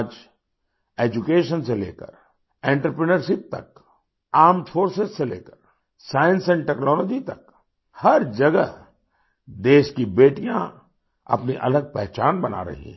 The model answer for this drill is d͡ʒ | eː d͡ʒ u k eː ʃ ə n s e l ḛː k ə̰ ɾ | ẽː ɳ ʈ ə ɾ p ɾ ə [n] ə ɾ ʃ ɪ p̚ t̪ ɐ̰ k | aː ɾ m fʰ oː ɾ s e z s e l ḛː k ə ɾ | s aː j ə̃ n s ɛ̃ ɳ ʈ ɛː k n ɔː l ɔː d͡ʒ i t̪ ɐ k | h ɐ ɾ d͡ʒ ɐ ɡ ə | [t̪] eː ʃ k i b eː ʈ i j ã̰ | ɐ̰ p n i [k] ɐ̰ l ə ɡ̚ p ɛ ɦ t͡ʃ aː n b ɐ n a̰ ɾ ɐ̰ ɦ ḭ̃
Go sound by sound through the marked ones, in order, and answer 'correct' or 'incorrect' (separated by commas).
correct, incorrect, incorrect